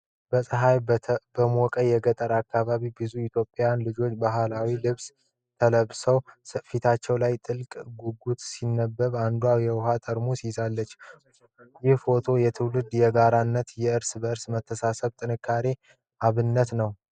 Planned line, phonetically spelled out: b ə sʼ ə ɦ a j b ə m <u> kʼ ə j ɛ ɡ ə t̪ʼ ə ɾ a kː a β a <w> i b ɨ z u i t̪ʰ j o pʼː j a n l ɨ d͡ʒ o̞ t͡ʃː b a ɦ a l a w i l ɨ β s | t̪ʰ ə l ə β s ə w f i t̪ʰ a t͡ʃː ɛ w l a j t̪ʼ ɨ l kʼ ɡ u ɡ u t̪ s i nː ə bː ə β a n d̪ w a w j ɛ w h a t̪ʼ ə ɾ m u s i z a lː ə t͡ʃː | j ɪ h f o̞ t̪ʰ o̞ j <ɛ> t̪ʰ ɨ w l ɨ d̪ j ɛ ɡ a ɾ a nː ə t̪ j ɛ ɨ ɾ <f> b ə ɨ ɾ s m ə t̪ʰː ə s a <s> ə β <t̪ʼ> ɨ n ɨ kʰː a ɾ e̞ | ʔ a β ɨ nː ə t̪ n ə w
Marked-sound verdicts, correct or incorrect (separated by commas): incorrect, incorrect, correct, incorrect, correct, correct